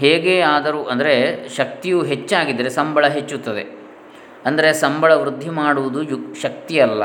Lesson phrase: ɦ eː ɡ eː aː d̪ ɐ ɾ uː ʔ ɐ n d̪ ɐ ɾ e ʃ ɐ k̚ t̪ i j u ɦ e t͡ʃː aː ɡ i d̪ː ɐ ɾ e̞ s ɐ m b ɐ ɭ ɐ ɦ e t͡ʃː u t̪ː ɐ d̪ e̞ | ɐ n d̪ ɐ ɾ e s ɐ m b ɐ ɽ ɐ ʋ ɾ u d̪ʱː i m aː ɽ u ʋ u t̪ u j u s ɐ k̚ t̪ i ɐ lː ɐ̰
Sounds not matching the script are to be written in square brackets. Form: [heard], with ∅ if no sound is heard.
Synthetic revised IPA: ɦ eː ɡ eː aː d̪ ɐ ɾ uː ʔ ɐ n d̪ ɐ ɾ e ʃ ɐ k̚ t̪ i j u ɦ e t͡ʃː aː ɡ i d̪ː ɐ ɾ e̞ s ɐ m b ɐ ɭ ɐ ɦ e t͡ʃː u t̪ː ɐ d̪ e̞ | ɐ n d̪ ɐ ɾ e s ɐ m b ɐ [ɭ] ɐ ʋ ɾ u d̪ʱː i m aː ɽ u ʋ u [d̪] u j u [ʃ] ɐ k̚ t̪ i ɐ lː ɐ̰